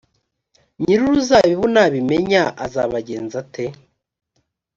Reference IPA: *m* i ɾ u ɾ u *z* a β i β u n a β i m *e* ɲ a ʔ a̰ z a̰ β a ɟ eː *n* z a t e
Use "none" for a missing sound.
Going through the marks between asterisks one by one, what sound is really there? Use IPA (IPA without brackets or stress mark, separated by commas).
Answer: ɲ, z, e, n